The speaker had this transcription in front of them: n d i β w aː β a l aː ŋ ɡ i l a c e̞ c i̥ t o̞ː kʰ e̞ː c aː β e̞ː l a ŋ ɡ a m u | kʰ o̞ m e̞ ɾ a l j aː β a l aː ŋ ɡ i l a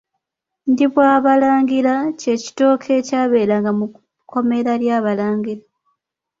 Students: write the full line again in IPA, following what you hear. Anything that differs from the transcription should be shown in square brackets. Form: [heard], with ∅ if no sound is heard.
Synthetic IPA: n d i β w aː β a l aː ŋ ɡ i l a c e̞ c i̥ t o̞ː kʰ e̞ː c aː β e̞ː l a ŋ ɡ a m u | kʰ o̞ m e̞ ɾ a l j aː β a l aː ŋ ɡ i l a